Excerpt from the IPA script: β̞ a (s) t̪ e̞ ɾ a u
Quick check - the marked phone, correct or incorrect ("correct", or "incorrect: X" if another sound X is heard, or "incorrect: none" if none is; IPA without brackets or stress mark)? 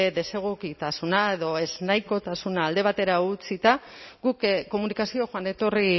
incorrect: none